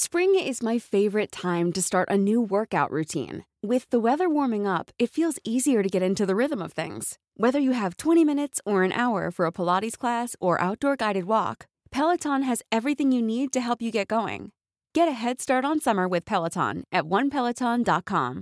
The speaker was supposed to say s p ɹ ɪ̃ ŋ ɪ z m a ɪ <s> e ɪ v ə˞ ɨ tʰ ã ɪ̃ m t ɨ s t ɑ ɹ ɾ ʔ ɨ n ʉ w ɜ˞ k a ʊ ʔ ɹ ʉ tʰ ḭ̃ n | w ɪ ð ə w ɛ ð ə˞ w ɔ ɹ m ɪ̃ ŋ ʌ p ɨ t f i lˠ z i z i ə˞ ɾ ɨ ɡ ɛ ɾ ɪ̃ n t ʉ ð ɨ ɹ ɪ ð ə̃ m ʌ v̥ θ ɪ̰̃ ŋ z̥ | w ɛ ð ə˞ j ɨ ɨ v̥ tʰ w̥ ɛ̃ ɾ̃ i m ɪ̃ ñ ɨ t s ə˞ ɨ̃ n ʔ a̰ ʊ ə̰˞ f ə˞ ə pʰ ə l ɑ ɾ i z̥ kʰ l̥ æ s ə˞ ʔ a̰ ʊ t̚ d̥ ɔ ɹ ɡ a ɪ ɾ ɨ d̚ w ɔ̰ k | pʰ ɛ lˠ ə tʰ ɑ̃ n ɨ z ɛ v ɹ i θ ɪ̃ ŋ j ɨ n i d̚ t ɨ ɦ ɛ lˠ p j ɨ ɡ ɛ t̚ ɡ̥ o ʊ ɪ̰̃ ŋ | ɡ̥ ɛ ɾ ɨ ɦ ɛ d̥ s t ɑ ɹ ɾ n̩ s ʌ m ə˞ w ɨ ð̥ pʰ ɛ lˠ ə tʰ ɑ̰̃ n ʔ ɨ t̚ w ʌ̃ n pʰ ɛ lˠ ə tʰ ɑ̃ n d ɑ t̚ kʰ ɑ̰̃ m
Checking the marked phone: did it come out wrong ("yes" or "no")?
yes